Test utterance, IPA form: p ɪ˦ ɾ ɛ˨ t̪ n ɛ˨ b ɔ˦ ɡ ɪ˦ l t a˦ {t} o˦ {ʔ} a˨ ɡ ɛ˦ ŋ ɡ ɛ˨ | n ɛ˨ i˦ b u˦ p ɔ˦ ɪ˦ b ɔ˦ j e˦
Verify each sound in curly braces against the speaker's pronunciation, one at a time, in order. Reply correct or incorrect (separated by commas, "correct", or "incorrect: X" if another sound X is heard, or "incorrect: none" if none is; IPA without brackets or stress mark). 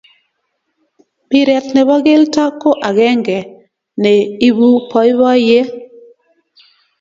incorrect: k, correct